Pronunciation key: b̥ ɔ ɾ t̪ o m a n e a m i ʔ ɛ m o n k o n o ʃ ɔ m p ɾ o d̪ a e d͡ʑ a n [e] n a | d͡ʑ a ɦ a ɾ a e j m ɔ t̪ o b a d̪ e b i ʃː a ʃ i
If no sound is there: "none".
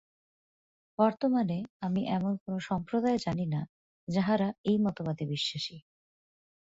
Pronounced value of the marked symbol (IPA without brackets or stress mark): i